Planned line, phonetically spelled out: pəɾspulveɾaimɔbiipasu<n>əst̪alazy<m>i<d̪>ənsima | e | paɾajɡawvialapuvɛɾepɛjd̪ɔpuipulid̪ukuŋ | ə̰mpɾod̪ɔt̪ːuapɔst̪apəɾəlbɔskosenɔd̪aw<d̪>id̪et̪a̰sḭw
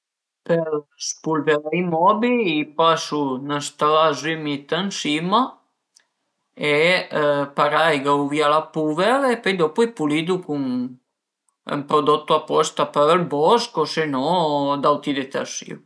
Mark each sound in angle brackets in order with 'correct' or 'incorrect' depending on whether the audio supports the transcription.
correct, correct, incorrect: t̪, incorrect: t̪

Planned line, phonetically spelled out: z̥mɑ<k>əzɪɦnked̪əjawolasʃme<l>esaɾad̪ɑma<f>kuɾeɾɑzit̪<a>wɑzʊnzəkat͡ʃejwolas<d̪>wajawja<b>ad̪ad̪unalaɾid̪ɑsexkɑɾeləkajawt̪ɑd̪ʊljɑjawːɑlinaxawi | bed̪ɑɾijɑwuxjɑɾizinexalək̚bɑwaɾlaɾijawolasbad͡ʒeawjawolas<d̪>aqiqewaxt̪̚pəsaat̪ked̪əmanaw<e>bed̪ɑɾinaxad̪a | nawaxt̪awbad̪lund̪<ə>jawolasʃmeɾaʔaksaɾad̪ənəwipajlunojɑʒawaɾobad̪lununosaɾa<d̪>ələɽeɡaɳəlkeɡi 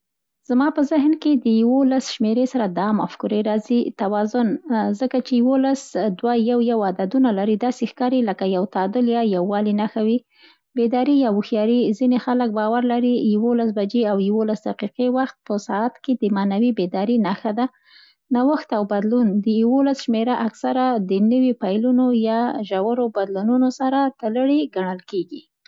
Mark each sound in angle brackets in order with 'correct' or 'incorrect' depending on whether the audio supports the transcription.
incorrect: p, incorrect: ɾ, correct, correct, correct, incorrect: w, correct, incorrect: i, correct, incorrect: t̪

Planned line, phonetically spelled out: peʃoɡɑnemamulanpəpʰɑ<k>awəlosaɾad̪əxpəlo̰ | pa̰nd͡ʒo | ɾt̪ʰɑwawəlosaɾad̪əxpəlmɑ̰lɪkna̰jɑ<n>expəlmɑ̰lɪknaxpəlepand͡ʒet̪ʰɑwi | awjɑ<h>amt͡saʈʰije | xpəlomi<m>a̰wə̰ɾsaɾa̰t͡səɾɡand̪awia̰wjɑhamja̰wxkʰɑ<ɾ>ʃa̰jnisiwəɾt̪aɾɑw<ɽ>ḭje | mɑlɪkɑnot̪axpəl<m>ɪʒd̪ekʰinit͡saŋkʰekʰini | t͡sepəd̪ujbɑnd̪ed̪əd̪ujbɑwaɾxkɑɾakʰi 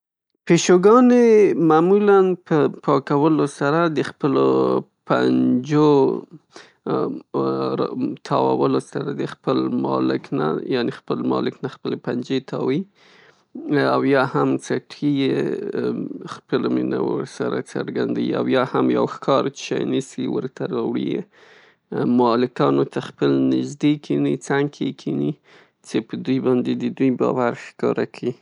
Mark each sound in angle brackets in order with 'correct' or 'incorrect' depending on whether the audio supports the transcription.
correct, correct, correct, incorrect: n, correct, correct, incorrect: n

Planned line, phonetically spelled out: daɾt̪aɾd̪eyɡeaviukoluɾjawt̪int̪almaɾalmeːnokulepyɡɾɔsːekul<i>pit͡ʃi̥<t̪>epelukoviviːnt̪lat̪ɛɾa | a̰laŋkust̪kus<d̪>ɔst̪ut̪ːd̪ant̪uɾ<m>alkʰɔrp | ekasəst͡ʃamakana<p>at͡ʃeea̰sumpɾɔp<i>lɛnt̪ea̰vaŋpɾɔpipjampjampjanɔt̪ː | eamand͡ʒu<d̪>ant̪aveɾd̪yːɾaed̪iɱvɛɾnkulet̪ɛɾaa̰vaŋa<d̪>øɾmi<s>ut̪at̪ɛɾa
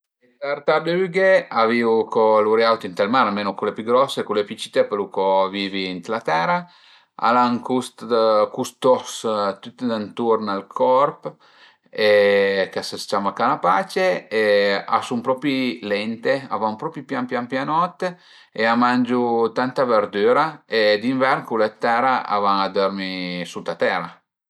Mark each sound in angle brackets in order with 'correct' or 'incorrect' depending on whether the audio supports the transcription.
incorrect: e, correct, incorrect: t̪, incorrect: n, correct, correct, incorrect: t̪, correct, correct

